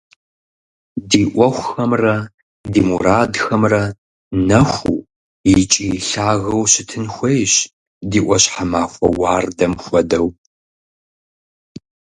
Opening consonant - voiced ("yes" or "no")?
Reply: yes